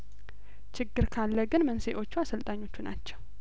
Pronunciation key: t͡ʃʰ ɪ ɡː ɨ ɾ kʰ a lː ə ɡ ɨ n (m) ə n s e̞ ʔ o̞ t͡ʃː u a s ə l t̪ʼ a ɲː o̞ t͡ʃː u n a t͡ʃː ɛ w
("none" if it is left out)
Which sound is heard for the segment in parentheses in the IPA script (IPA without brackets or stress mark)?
m